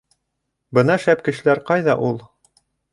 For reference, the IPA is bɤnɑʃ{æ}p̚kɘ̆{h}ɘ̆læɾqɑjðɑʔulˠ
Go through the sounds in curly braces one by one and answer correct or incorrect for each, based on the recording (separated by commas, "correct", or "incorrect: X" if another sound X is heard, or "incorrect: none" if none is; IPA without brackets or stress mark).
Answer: correct, incorrect: ʃ